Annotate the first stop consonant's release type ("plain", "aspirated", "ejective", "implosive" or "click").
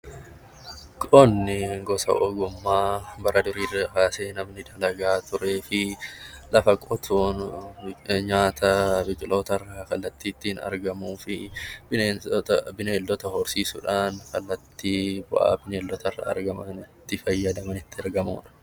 ejective